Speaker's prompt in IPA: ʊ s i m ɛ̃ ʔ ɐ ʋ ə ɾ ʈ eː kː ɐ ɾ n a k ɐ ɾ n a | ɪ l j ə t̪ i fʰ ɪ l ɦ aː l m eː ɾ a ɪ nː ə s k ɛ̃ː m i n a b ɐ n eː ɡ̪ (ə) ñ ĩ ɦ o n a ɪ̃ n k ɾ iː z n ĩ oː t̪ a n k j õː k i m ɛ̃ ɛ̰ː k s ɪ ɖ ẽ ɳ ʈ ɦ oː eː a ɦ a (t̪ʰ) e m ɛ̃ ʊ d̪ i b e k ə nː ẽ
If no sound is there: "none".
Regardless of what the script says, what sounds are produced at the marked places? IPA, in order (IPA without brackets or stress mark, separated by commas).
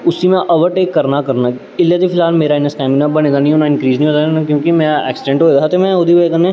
a, t̪